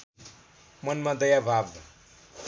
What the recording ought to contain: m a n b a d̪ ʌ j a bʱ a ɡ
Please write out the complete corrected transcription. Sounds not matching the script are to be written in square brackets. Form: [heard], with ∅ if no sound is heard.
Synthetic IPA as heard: m [ʌ] n [m] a d̪ ʌ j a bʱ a [b]